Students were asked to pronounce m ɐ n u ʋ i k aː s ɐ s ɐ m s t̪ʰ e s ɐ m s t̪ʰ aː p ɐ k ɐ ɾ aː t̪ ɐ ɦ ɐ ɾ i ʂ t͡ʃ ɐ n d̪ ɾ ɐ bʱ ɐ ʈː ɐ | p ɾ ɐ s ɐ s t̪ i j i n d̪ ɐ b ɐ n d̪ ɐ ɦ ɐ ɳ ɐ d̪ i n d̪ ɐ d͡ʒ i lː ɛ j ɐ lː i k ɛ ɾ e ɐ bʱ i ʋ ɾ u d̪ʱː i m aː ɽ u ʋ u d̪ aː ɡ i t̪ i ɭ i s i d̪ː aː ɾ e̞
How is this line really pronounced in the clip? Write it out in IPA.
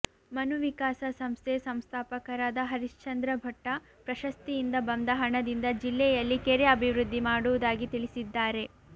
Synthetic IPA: m ɐ n u ʋ i k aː s ɐ s ɐ m s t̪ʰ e s ɐ m s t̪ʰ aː p ɐ k ɐ ɾ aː d̪ ɐ ɦ ɐ ɾ i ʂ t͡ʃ ɐ n d̪ ɾ ɐ bʱ ɐ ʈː ɐ | p ɾ ɐ ʃ ɐ s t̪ i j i n d̪ ɐ b ɐ n d̪ ɐ ɦ ɐ ɳ ɐ d̪ i n d̪ ɐ d͡ʒ i lː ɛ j ɐ lː i k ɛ ɾ e ɐ bʱ i ʋ ɾ u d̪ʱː i m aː ɽ u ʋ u d̪ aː ɡ i t̪ i ɭ i s i d̪ː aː ɾ e̞